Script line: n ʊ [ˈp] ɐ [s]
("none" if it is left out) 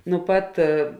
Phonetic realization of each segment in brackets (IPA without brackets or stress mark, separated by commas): p, t